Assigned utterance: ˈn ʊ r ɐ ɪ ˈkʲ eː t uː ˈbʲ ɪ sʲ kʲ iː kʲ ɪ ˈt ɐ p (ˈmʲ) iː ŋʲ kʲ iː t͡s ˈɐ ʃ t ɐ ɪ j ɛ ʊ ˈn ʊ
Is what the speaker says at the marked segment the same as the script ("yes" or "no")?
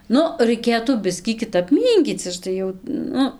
yes